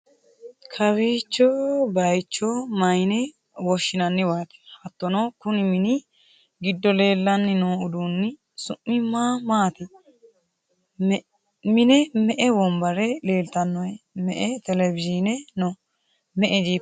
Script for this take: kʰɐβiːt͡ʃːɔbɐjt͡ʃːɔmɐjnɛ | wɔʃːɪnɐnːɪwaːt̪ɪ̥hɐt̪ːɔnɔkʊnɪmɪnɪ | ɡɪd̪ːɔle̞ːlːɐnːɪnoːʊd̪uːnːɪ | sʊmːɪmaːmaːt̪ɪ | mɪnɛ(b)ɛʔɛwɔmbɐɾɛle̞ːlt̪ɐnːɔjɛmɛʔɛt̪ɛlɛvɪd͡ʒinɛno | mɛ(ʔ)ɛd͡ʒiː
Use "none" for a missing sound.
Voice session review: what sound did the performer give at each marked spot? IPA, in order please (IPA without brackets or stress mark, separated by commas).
m, ʔ